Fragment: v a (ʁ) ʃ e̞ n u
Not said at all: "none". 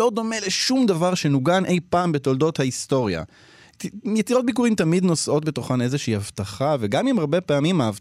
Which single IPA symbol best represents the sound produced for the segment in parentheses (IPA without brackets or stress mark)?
ʁ